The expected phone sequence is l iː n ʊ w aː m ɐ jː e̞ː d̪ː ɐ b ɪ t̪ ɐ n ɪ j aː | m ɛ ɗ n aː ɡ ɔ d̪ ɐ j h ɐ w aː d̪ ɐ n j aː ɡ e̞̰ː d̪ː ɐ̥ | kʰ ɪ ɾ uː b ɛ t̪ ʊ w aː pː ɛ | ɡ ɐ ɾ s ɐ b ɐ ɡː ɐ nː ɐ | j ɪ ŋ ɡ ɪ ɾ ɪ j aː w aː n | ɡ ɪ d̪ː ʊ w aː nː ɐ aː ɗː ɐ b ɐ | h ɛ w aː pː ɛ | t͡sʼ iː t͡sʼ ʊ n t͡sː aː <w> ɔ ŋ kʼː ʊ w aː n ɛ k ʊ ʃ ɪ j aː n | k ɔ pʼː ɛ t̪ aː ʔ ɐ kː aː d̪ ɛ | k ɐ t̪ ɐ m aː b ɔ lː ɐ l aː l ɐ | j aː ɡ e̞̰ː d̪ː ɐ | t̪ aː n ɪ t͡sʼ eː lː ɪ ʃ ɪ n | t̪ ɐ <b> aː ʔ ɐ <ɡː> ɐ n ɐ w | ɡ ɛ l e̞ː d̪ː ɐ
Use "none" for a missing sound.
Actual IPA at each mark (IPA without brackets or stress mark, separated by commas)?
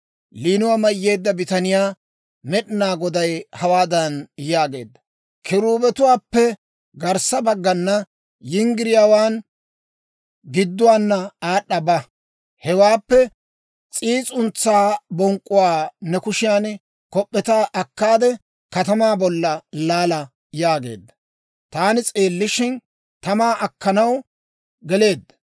b, m, kː